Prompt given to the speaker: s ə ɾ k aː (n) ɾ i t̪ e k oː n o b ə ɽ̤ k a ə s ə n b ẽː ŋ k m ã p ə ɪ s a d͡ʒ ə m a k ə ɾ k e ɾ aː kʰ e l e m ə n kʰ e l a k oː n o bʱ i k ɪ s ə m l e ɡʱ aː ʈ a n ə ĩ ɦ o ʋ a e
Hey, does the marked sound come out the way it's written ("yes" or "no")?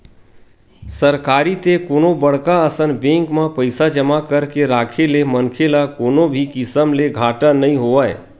no